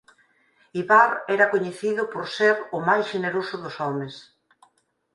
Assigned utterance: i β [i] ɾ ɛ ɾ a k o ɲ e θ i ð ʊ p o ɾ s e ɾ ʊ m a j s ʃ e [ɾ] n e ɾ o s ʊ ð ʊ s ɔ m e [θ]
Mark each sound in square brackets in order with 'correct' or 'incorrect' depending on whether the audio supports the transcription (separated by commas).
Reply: incorrect, incorrect, incorrect